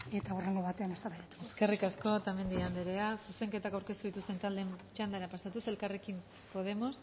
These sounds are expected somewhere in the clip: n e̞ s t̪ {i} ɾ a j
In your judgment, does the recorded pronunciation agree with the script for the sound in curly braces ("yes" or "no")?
no